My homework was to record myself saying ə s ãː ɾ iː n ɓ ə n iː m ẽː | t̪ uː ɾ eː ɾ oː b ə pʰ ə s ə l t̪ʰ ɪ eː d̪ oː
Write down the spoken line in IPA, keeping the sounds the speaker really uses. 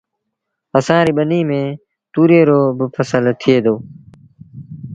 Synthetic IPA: ə s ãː ɾ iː ɓ ə n iː m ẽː | t̪ uː ɾ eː ɾ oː b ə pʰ ə s ə l t̪ʰ ɪ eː d̪ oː